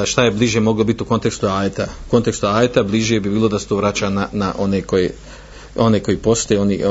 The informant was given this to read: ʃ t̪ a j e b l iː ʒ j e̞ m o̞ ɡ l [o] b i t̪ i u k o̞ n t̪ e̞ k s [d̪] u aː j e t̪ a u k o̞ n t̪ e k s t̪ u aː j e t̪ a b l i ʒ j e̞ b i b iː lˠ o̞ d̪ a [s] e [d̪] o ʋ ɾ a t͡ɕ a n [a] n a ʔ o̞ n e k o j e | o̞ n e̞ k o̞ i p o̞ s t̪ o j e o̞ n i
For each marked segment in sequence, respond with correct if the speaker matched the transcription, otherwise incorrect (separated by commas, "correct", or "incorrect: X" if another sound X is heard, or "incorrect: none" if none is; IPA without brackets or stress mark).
correct, incorrect: t̪, correct, incorrect: t̪, correct